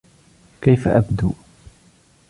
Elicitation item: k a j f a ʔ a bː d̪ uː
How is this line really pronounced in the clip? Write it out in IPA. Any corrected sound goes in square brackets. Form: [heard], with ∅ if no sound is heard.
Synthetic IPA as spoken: k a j f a ʔ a [b] d̪ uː